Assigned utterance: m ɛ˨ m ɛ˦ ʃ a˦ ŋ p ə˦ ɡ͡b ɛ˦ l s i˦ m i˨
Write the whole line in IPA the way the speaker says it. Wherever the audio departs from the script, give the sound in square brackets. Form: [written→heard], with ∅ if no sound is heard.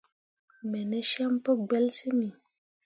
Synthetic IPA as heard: m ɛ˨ [m→n] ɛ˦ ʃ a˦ [ŋ→m] p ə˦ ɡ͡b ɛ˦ l s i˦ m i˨